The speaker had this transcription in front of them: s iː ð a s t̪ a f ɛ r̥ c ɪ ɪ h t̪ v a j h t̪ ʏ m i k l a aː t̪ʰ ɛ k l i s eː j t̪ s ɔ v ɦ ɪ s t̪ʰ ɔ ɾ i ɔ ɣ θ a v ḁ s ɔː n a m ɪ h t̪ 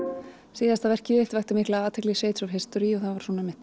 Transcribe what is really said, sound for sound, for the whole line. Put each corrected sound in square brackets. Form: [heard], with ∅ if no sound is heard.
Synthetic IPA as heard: s iː ð a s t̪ a [v] ɛ r̥ c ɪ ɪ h t̪ v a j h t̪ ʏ m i k l a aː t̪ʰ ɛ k l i s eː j t̪ s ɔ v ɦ ɪ s [t̪] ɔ ɾ i ɔ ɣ θ a v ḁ s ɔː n a m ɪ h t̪